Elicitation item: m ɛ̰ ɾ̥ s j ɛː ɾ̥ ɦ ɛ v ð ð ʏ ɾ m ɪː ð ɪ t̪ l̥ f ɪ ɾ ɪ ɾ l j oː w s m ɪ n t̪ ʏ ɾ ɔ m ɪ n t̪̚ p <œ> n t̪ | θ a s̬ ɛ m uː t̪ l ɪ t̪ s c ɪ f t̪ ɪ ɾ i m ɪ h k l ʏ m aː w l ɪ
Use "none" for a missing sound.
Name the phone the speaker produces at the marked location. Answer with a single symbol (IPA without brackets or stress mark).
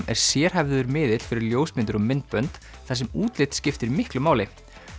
œ